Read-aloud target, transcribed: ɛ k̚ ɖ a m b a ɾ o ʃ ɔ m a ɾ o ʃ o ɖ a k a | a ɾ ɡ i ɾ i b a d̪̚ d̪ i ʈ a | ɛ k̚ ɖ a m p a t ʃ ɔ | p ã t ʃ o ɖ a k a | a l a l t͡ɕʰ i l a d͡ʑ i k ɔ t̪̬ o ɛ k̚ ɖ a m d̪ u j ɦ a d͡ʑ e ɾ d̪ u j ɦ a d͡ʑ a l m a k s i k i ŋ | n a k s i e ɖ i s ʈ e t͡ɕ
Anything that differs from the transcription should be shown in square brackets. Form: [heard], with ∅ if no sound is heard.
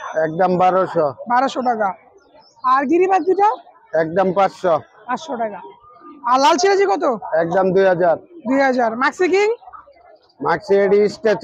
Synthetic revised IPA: ɛ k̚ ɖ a m b a ɾ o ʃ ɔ [b] a ɾ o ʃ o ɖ a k a | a ɾ ɡ i ɾ i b a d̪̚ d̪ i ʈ a | ɛ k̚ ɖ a m p a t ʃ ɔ | p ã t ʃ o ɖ a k a | a l a l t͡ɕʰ i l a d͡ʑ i k ɔ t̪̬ o ɛ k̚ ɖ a m d̪ u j ɦ a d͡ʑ [a] ɾ d̪ u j ɦ a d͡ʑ a [ɾ] m a k s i k i ŋ | [m] a k s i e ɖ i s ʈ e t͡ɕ

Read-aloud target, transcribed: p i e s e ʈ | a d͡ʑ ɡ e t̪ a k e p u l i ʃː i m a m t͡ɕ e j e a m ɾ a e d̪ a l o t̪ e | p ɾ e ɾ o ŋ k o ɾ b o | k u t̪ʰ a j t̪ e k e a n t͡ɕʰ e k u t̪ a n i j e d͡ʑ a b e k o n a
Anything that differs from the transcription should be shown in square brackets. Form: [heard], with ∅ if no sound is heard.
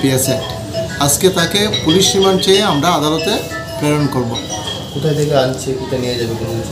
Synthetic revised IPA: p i e s e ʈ | a d͡ʑ [k] e t̪ a k e p u l i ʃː i m a [n] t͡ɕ e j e a m ɾ a [a] d̪ a l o t̪ e | p ɾ e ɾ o [n] k o ɾ b o | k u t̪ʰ a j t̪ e k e a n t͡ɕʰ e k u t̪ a n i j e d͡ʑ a b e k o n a

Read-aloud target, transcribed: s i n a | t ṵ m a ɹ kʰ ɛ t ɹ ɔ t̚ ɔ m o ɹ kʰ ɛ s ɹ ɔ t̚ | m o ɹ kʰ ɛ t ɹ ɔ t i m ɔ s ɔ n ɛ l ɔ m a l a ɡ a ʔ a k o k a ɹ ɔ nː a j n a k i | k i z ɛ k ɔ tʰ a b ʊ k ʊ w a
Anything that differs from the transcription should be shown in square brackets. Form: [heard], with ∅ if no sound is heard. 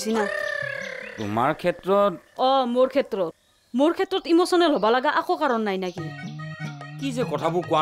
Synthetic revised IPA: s i n a | t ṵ m a ɹ kʰ ɛ t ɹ ɔ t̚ ɔ m o ɹ kʰ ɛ [t] ɹ ɔ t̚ | m o ɹ kʰ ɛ t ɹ ɔ t i m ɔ s ɔ n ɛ l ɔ [b] a l a ɡ a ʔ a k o k a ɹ ɔ nː a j n a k i | k i z ɛ k ɔ tʰ a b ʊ k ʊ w a

